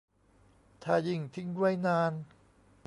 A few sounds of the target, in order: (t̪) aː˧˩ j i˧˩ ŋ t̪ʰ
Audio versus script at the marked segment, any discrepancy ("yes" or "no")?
yes